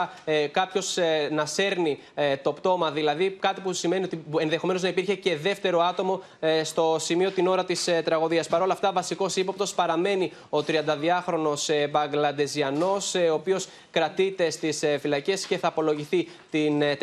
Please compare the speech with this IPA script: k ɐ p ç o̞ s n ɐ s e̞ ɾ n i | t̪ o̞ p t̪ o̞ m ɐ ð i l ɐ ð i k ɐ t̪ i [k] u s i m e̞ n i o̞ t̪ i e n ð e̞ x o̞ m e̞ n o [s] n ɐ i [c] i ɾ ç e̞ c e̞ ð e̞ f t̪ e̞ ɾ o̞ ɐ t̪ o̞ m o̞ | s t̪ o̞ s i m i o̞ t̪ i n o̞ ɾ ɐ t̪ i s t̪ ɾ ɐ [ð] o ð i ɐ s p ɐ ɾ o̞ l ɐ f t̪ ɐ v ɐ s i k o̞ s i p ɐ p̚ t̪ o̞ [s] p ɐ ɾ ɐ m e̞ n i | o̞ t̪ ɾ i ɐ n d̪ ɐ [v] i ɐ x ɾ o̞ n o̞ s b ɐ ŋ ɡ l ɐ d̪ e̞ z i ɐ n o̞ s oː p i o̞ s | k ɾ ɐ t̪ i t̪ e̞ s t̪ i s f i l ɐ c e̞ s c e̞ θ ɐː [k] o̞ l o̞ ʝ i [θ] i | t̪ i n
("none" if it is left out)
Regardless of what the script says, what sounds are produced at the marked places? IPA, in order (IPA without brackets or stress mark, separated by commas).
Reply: p, z, p, ɣ, s, ð, p, θ